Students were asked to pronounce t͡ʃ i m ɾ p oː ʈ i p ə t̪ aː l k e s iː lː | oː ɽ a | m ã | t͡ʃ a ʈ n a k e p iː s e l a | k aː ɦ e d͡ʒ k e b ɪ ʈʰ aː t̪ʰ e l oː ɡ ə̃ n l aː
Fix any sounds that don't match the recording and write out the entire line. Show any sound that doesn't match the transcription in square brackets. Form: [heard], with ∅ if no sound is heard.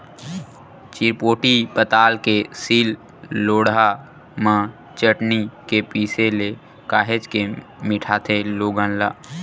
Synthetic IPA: t͡ʃ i [∅] ɾ p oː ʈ i p ə t̪ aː l k e s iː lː | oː ɽ a | m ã | t͡ʃ [ə] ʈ n [i] k e p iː s e l [e] | k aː ɦ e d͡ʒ k e [m] ɪ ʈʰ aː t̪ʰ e l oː ɡ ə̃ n l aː